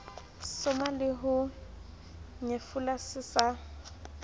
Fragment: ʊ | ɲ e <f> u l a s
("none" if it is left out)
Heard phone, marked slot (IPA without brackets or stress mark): f